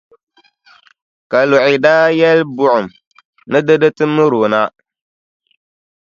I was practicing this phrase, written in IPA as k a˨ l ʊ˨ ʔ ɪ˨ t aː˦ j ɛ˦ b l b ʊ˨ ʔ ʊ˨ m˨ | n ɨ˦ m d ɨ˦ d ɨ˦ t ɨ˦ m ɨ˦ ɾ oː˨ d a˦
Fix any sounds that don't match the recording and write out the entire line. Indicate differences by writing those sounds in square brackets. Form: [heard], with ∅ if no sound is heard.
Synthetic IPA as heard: k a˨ l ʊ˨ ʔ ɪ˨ [d] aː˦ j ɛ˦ [∅] l b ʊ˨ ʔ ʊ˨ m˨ | n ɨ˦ [∅] d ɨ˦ d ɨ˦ t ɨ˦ m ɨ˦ ɾ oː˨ [n] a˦